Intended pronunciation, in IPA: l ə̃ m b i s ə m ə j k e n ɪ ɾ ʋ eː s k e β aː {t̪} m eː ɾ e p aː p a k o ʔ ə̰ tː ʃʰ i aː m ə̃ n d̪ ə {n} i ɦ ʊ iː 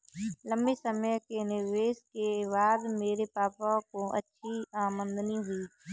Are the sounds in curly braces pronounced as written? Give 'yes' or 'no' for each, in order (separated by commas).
no, yes